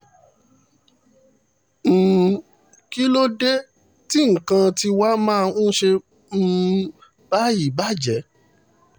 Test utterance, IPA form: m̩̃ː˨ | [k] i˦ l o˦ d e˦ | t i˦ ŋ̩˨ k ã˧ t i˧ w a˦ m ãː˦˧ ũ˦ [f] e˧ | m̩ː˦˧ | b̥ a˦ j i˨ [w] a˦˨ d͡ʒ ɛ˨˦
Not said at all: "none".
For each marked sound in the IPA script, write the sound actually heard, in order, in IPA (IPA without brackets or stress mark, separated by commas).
k, ʃ, b